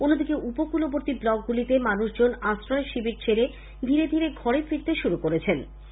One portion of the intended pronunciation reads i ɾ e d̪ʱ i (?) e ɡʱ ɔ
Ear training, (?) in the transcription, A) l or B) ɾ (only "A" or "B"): B